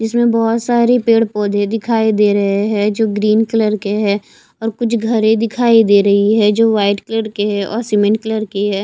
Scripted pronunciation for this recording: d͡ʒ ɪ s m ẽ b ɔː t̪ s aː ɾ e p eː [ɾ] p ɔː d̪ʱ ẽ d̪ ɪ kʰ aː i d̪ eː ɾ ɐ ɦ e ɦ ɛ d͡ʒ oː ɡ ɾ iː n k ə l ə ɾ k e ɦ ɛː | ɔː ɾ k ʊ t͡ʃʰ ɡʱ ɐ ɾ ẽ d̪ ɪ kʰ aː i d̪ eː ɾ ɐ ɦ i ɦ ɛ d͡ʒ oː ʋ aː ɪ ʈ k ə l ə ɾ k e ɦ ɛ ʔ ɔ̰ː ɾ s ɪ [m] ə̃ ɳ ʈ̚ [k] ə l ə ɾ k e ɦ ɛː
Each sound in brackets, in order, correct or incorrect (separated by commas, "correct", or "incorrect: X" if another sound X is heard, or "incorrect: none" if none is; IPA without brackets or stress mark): incorrect: ɽ, correct, correct